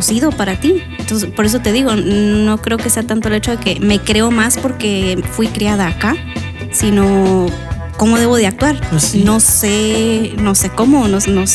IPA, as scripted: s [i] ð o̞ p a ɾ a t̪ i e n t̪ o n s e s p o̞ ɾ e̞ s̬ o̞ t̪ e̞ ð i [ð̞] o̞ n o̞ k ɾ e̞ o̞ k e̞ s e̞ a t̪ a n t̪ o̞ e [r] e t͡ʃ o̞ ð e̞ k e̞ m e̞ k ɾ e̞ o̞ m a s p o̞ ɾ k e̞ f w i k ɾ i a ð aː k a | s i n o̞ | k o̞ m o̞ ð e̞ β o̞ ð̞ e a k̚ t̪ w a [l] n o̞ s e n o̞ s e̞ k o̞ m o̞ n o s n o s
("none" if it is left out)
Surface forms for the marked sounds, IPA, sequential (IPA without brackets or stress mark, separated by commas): i, ɣ̞, l, ɾ